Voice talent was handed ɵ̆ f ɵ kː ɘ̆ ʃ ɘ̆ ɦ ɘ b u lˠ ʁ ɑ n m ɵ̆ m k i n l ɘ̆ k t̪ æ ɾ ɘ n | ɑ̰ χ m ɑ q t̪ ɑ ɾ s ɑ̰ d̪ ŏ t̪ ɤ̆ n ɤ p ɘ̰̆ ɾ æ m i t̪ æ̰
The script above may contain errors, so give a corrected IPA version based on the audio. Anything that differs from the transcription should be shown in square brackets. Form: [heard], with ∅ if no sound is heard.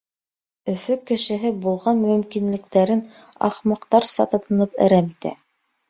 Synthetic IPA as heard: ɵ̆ f ɵ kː ɘ̆ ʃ ɘ̆ ɦ ɘ b u lˠ ʁ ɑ n m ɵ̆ m k i n l ɘ̆ k t̪ æ ɾ ɘ n | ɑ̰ χ m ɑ q t̪ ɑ ɾ s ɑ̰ [t̪] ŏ t̪ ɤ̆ n ɤ p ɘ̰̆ ɾ æ m i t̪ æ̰